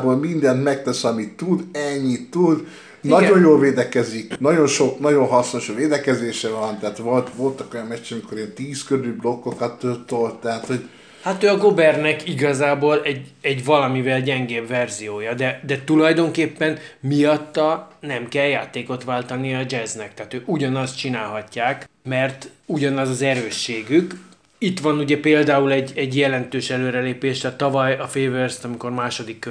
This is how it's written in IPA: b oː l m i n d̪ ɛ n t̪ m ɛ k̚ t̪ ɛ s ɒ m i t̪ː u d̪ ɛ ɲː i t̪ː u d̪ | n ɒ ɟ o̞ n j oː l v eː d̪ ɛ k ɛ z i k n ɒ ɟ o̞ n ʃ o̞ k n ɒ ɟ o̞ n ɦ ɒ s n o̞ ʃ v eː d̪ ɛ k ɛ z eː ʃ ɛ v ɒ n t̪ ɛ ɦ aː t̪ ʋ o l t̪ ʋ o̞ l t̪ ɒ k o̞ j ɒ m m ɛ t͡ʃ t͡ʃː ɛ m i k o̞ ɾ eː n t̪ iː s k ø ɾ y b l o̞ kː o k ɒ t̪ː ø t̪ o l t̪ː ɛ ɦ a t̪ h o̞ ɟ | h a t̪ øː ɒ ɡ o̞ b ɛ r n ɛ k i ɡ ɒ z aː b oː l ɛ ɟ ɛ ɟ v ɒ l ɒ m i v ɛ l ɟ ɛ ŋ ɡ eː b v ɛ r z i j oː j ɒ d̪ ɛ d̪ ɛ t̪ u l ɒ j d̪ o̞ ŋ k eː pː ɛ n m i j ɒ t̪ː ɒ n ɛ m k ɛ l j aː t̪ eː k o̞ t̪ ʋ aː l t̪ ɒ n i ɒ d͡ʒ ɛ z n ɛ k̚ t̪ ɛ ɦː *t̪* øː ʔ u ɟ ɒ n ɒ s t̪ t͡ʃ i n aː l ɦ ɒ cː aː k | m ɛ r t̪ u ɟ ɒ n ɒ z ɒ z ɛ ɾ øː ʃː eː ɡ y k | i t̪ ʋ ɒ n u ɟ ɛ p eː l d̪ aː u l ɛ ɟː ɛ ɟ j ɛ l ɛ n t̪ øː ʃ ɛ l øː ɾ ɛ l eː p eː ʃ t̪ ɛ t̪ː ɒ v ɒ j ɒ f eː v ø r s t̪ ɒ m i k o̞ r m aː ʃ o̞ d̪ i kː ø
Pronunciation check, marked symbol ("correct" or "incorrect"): correct